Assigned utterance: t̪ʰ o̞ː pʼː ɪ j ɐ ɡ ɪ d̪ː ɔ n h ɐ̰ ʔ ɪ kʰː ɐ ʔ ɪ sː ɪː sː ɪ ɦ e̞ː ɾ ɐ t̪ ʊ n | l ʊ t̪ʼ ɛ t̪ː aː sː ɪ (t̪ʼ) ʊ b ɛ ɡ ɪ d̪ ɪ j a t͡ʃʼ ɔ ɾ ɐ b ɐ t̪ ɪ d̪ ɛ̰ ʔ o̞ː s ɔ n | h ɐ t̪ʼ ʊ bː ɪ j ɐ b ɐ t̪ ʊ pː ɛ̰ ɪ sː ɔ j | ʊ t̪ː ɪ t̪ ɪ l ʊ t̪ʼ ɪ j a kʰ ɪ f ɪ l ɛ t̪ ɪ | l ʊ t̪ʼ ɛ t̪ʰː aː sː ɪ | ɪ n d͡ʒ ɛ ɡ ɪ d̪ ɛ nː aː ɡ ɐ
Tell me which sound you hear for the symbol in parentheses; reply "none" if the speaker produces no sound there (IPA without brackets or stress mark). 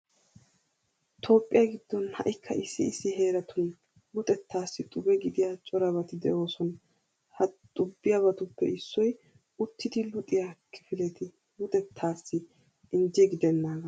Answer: t̪ʼ